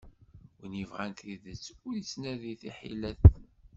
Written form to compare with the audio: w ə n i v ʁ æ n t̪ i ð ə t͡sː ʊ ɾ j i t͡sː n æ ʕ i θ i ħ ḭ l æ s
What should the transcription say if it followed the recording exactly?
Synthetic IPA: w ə n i v ʁ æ n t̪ i ð ə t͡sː ʊ ɾ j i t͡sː n æ ð i θ i ħ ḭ l æ θ

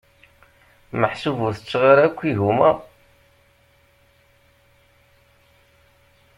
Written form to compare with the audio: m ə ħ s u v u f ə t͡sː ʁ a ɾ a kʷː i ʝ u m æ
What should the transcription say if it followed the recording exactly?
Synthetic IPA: m ə ħ s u v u θ ə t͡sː ʁ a ɾ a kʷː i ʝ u m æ

